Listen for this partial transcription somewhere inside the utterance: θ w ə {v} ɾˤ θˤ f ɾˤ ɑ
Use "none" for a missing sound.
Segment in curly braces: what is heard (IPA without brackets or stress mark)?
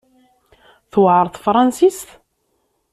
ʕ